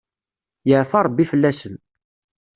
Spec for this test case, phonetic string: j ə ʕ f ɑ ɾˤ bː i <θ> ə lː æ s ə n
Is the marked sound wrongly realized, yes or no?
yes